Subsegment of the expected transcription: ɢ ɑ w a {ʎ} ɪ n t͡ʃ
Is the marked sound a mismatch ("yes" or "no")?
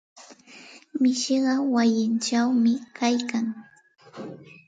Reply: yes